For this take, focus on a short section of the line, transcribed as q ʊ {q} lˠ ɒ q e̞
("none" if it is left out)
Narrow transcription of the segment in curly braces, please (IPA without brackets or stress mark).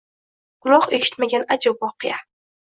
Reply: none